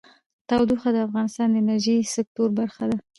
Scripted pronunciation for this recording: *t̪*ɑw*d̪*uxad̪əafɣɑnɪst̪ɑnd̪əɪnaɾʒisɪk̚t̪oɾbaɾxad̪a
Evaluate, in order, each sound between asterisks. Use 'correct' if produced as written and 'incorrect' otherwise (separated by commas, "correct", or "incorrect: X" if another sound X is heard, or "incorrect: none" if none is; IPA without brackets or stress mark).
correct, correct